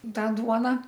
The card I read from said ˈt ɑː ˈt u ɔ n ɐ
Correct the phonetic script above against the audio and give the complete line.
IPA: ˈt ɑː ˈd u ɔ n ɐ

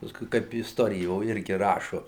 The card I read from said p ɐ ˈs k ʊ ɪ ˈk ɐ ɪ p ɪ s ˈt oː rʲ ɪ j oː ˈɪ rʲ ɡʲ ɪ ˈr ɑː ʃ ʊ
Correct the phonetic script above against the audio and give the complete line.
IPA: p ɐ ˈs k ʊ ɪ ˈk ɐ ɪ p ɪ s ˈt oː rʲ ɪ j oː ˈɪ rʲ ɡʲ ɪ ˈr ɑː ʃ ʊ

